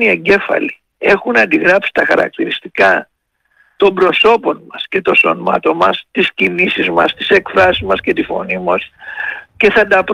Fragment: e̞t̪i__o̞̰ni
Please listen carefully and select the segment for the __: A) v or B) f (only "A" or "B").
B